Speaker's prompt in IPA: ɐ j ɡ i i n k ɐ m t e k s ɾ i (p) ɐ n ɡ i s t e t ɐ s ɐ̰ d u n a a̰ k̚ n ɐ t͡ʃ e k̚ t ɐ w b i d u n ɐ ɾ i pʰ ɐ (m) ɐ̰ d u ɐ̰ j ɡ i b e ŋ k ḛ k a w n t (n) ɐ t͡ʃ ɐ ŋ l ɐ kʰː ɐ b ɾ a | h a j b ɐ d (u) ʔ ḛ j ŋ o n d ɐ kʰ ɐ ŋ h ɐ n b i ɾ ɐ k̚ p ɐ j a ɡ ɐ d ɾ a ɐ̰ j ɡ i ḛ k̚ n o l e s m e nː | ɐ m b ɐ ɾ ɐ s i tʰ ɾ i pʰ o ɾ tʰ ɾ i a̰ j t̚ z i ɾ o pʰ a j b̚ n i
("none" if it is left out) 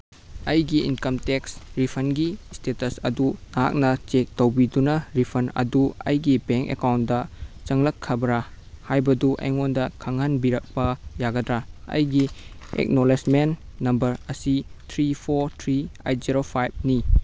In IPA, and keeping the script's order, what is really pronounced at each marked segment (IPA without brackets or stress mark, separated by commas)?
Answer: pʰ, n, d, u